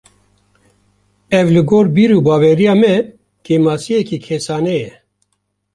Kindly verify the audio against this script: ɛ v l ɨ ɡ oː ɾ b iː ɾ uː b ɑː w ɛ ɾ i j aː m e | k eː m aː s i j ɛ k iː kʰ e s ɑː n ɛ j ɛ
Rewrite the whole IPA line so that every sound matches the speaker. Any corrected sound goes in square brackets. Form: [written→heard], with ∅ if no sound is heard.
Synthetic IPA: ɛ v l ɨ ɡ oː ɾ b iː ɾ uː b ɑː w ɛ ɾ i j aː m [e→ɛ] | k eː m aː s i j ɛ k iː kʰ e s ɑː n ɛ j ɛ